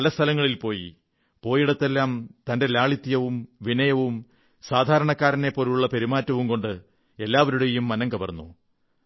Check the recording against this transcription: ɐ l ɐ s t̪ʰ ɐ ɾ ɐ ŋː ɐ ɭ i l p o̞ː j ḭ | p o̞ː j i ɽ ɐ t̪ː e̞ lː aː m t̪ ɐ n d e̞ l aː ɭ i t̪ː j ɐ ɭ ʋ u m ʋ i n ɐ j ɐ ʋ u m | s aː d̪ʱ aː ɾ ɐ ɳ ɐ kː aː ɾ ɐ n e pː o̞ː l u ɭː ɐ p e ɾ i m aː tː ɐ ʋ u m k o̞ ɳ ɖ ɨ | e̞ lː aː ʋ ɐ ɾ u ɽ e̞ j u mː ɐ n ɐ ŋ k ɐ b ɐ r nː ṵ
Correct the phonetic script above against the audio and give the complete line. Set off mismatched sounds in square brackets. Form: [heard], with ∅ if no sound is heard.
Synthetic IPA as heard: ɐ l ɐ s t̪ʰ ɐ [l] ɐ ŋː ɐ ɭ i l p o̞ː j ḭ | p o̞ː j i ɽ ɐ t̪ː e̞ lː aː m t̪ ɐ n d e̞ l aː ɭ i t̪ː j ɐ [∅] ʋ u m ʋ i n ɐ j ɐ ʋ u m | s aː d̪ʱ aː ɾ ɐ ɳ ɐ kː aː ɾ ɐ n e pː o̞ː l u ɭː ɐ p e ɾ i m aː tː ɐ ʋ u m k o̞ ɳ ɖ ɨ | e̞ lː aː ʋ ɐ ɾ u ɽ e̞ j u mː ɐ n ɐ ŋ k ɐ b ɐ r nː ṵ

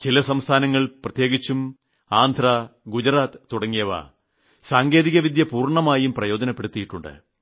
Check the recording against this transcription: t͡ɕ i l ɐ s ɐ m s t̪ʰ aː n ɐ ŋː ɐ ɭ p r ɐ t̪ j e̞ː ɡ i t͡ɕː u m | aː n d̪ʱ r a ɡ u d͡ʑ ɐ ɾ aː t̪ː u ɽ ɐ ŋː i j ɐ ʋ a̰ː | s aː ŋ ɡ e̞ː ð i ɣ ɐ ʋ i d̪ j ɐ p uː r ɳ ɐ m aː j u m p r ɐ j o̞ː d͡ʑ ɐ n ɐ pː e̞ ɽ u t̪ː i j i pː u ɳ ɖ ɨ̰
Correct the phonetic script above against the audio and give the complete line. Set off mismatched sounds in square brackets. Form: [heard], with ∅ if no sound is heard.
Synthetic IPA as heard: t͡ɕ i l ɐ s ɐ m s t̪ʰ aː n ɐ ŋː ɐ ɭ p r ɐ t̪ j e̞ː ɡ i t͡ɕː u m | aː n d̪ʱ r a ɡ u d͡ʑ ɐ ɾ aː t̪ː u ɽ ɐ ŋː i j ɐ ʋ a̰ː | s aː ŋ ɡ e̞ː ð i ɣ ɐ ʋ i d̪ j ɐ p uː r ɳ ɐ m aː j u m p r ɐ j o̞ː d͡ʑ ɐ n ɐ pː e̞ ɽ u t̪ː i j i [ʈː] u ɳ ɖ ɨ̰

